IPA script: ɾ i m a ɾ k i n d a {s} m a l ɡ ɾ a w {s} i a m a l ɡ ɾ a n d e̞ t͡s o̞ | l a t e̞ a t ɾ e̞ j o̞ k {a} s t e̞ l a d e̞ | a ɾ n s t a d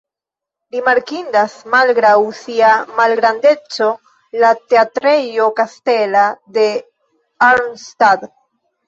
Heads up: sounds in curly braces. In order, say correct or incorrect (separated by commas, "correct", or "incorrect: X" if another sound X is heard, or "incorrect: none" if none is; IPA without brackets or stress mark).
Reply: correct, correct, correct